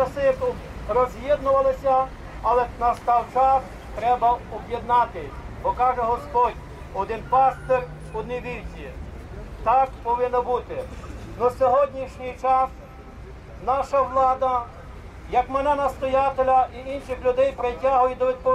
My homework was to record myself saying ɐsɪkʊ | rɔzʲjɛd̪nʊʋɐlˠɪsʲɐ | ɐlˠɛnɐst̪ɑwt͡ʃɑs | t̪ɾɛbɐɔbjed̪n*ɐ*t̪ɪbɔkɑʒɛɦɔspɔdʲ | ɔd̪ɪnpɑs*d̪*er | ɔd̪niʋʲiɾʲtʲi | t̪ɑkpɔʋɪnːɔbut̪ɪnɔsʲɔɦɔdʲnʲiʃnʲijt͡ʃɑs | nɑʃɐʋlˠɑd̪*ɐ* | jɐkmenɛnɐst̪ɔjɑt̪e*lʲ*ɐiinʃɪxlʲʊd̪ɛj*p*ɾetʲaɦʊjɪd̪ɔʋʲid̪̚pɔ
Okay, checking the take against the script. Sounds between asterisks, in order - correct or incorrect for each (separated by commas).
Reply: incorrect, incorrect, correct, correct, correct